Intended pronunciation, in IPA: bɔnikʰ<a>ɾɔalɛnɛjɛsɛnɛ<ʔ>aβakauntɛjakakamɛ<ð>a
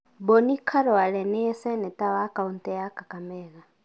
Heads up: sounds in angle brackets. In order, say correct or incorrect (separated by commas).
correct, incorrect, incorrect